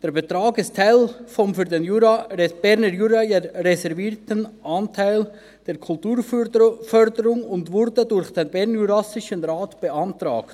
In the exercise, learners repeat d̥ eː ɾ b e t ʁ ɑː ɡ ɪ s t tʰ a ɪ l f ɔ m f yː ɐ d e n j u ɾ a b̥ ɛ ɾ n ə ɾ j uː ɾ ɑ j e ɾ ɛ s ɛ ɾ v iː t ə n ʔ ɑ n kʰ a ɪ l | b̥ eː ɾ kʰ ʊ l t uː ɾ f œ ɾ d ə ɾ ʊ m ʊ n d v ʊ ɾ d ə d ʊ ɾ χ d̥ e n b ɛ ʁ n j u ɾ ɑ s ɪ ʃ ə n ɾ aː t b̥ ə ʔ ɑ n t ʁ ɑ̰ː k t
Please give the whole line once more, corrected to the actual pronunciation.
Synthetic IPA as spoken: d̥ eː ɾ b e t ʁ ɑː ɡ ɪ s t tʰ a ɪ l f ɔ m f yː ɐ d e n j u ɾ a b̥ ɛ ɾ n ə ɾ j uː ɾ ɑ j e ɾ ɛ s ɛ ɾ v iː t ə n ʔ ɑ n tʰ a ɪ l | d̥ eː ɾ kʰ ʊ l t uː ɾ f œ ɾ d ə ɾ ʊ ŋ ʊ n d v ʊ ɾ d ə d ʊ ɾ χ d̥ e n b ɛ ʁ n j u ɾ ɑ s ɪ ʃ ə n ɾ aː t b̥ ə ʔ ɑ n t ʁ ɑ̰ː k t